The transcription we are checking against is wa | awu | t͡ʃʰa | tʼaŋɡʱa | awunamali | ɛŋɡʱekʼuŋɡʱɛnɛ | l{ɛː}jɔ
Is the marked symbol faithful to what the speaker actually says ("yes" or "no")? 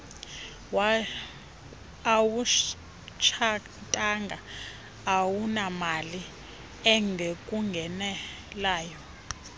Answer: no